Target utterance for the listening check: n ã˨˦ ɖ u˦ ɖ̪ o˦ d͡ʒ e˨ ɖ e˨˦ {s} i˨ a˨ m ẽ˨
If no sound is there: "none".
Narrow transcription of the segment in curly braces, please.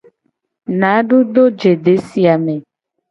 s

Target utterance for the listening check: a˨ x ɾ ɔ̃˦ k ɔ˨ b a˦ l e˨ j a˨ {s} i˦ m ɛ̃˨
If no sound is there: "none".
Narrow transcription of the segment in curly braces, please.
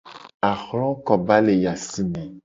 s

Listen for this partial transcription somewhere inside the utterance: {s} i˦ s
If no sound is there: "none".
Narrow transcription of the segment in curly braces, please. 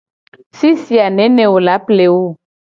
s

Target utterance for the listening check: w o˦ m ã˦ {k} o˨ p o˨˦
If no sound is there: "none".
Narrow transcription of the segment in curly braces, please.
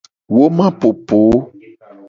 p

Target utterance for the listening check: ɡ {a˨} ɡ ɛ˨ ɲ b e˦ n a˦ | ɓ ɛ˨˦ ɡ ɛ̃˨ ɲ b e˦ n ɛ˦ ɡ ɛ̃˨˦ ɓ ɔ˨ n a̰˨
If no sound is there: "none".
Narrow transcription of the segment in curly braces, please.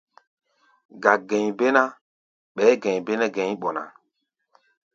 a˨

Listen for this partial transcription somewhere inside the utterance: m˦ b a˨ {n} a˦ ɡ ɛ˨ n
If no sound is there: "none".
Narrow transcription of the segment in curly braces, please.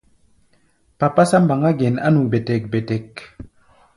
ŋ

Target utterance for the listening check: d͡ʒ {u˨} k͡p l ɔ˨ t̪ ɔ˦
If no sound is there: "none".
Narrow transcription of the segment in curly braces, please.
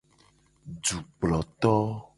u˨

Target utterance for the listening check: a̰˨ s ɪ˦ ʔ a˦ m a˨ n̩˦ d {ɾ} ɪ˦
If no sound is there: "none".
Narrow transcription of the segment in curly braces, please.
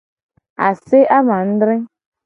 ɾ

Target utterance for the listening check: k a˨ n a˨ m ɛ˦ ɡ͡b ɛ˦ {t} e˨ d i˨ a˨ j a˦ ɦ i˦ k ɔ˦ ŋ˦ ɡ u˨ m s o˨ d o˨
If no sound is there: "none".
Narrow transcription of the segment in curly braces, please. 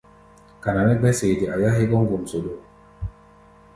s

